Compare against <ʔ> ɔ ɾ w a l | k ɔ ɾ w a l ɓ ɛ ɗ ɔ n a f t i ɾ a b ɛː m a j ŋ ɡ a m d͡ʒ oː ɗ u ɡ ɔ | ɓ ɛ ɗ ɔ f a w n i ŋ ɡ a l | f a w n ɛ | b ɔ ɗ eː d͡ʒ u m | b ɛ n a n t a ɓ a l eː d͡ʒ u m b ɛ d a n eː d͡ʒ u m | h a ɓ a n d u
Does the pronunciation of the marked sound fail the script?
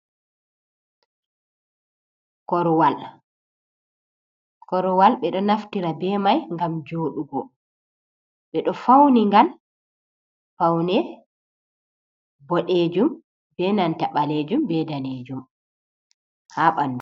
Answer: yes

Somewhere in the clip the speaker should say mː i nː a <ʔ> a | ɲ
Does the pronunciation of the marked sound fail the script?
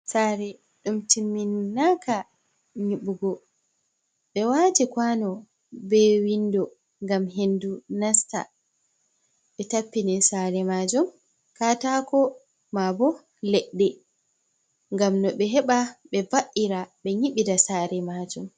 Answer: yes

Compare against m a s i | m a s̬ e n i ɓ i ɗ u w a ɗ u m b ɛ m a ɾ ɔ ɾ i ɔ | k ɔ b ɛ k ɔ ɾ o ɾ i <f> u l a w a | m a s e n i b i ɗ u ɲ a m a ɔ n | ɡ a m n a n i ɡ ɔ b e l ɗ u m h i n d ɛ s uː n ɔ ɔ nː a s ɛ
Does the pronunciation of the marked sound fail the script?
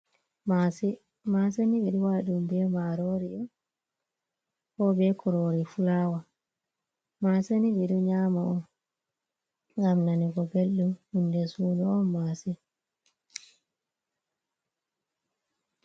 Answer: no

